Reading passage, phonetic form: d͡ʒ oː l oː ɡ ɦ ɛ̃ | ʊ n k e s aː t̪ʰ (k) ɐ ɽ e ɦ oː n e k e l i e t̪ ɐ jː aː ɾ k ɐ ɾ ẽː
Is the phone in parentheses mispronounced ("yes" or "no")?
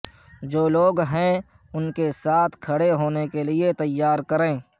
yes